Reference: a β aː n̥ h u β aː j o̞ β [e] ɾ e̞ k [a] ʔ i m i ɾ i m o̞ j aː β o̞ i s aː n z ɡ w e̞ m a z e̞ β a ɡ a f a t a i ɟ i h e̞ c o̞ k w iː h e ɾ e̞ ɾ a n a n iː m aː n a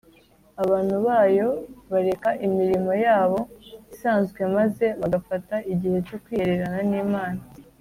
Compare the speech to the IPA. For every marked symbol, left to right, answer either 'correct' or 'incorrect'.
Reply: incorrect, correct

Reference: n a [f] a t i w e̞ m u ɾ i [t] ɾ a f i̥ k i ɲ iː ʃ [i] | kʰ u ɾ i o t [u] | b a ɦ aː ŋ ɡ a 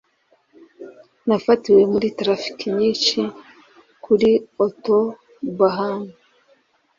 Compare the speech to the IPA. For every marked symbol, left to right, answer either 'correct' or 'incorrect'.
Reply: correct, correct, correct, incorrect

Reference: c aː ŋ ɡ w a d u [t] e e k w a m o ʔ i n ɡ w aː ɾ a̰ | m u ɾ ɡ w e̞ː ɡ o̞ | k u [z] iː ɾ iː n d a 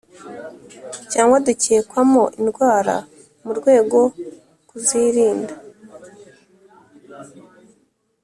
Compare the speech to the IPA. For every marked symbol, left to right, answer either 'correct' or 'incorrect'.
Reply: incorrect, correct

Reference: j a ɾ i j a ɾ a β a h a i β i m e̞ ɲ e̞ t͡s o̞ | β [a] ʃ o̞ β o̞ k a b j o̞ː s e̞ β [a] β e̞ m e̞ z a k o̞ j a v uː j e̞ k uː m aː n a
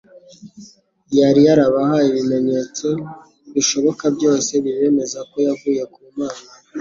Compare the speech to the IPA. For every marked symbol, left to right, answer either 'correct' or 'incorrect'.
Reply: incorrect, incorrect

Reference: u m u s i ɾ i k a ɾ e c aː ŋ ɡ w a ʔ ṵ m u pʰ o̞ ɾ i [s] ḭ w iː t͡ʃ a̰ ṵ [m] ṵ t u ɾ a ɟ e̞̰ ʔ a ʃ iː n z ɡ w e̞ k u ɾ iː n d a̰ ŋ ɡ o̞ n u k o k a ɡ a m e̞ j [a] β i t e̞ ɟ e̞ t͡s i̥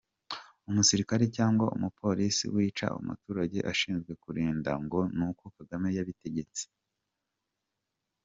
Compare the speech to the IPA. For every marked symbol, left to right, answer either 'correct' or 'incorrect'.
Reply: correct, correct, correct

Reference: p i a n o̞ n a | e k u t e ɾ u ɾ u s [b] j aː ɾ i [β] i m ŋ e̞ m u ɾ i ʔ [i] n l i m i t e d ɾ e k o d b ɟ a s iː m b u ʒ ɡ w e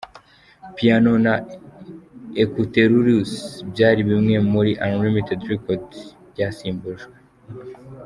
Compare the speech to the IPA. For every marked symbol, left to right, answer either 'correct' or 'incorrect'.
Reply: correct, correct, incorrect

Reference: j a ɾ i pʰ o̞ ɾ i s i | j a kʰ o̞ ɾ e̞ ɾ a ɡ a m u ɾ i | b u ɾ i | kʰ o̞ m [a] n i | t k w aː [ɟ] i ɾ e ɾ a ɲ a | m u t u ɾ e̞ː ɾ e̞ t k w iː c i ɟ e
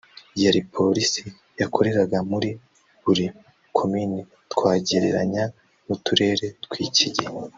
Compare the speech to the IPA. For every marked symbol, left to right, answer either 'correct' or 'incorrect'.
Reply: incorrect, correct

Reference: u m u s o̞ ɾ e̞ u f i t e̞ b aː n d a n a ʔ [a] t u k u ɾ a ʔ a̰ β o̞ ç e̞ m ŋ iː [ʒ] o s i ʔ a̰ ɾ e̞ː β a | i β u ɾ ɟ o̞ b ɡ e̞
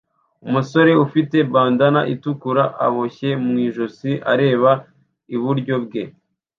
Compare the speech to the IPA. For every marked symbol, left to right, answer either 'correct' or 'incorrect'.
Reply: incorrect, correct

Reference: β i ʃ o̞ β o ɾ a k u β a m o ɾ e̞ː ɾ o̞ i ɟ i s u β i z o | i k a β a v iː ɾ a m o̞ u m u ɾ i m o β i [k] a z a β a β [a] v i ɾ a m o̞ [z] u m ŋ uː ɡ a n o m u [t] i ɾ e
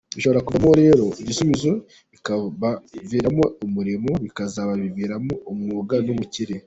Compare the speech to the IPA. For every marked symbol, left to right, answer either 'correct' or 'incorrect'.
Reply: correct, incorrect, incorrect, incorrect

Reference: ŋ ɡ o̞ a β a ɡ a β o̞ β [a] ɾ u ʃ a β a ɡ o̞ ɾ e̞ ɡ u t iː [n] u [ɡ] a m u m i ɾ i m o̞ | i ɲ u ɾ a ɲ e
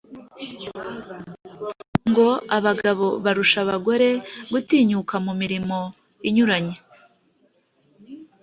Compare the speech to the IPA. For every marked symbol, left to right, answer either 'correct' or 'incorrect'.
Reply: correct, incorrect, incorrect

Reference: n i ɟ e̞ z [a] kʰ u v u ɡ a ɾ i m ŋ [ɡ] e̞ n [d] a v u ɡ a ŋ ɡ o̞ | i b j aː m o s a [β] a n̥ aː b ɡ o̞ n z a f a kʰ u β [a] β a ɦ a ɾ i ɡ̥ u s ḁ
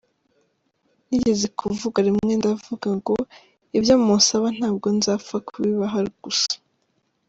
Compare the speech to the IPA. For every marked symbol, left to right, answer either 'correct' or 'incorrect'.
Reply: incorrect, incorrect, correct, correct, incorrect

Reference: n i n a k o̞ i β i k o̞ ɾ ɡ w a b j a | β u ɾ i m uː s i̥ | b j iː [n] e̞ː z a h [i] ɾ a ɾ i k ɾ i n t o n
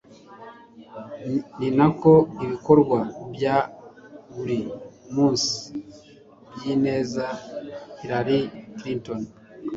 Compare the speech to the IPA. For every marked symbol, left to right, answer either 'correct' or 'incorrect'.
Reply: correct, correct

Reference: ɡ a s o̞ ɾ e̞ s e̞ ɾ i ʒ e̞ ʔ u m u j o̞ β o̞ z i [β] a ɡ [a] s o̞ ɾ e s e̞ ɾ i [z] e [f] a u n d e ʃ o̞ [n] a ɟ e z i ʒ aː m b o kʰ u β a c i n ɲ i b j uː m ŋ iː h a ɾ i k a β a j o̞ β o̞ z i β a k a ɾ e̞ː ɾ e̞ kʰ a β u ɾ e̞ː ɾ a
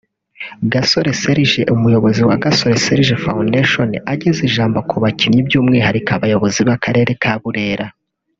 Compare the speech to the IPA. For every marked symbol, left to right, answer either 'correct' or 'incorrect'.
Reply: incorrect, correct, incorrect, correct, correct

